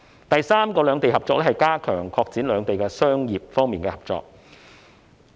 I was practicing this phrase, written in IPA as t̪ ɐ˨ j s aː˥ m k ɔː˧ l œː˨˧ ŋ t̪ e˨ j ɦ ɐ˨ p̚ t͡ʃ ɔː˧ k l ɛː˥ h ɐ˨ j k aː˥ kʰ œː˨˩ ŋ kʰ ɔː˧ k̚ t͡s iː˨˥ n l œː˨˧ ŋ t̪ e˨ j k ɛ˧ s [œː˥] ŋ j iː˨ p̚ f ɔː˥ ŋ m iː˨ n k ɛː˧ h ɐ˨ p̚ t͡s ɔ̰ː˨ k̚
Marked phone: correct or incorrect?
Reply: correct